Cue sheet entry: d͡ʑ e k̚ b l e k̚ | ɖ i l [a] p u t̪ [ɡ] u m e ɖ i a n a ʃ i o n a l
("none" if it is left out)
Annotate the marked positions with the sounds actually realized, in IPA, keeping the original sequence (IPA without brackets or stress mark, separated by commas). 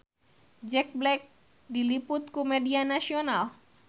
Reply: i, k